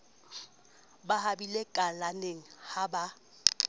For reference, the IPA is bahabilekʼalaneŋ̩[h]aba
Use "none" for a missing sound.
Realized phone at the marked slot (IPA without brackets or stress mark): h